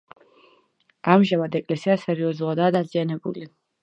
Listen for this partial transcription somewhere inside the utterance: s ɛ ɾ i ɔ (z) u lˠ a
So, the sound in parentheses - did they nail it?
yes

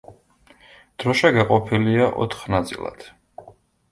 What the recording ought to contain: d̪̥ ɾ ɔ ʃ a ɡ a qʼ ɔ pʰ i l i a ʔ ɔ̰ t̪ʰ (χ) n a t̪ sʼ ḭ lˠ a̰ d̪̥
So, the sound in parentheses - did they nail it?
yes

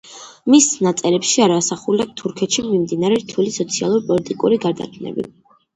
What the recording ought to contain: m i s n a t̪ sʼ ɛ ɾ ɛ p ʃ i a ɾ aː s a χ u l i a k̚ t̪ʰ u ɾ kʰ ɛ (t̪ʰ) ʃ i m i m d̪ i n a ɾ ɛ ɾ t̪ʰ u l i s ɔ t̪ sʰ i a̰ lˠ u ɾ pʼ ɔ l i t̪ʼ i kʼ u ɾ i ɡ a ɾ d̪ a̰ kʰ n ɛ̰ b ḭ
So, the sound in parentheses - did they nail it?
no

